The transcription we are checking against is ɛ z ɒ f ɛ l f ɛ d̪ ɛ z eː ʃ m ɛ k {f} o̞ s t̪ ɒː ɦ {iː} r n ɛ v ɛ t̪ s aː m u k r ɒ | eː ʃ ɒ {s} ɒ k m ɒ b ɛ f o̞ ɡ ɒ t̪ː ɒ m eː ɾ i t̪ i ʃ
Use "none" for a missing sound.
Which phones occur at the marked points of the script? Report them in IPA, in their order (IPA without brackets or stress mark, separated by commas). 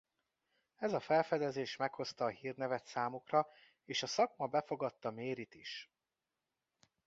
h, iː, s